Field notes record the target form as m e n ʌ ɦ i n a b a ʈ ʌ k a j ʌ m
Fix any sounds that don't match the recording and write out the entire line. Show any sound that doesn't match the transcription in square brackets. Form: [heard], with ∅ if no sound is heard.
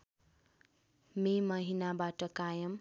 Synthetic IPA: m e [m] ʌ ɦ i n a b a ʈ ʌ k a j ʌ m